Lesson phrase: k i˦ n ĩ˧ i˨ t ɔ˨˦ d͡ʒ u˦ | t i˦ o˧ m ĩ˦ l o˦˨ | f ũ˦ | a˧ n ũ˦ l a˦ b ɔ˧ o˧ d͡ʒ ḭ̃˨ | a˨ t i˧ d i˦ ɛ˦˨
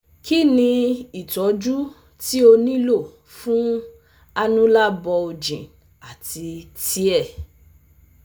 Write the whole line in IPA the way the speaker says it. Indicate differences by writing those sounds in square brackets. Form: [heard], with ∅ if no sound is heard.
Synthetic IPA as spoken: k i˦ n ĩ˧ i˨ t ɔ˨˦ d͡ʒ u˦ | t i˦ o˧ [n] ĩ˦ l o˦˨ | f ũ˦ | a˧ n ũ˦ l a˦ b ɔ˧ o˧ d͡ʒ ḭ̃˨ | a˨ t i˧ [t] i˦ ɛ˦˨

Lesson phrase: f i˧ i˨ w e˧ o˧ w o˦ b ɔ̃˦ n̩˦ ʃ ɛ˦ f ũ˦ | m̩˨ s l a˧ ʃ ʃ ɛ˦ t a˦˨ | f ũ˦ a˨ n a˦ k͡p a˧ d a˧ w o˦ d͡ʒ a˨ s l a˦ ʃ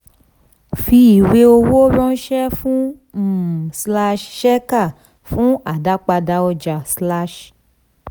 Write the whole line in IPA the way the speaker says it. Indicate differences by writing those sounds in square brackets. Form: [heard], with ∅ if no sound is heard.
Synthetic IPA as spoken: f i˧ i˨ w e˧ o˧ w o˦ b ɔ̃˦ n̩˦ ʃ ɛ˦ f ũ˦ | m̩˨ s l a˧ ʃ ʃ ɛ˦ [k] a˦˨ | f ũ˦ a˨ [d] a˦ k͡p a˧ d a˧ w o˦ d͡ʒ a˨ s l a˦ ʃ

